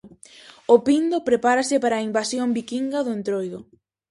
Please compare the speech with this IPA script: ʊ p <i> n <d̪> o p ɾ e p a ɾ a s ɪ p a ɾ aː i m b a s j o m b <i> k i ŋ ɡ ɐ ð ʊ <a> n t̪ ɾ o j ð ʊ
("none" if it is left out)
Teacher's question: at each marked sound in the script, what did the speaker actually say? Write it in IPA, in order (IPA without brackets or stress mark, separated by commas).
i, d̪, i, e